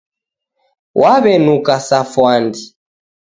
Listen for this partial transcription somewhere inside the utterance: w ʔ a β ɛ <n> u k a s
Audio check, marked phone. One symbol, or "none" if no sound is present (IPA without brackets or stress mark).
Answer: n